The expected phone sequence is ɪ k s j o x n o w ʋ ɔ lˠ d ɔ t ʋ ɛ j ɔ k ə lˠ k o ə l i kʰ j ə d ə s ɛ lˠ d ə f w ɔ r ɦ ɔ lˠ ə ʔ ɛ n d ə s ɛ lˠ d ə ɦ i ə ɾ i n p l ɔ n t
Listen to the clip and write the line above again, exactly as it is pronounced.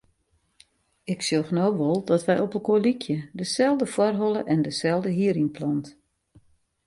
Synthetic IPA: ɪ k s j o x n o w ʋ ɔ lˠ d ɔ t ʋ ɛ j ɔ p ə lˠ k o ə l i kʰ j ə d ə s ɛ lˠ d ə f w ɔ r ɦ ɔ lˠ ə ʔ ɛ n d ə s ɛ lˠ d ə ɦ i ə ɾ i n p l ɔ n t